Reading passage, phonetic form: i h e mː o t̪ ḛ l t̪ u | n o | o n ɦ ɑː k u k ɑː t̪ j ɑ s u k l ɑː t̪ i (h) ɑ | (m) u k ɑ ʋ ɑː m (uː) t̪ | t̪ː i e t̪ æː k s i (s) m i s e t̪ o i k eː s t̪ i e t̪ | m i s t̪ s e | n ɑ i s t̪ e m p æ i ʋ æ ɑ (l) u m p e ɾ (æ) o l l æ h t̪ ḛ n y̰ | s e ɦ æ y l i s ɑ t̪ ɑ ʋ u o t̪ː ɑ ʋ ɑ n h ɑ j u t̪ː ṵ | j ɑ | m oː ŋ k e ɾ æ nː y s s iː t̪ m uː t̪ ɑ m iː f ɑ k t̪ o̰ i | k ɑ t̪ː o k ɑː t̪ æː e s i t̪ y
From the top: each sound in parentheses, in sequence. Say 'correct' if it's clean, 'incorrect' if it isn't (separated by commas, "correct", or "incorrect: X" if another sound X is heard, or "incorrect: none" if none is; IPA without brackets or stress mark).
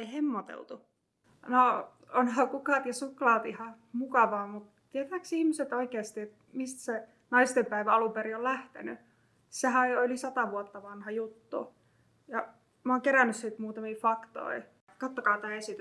correct, correct, incorrect: u, incorrect: h, correct, incorrect: i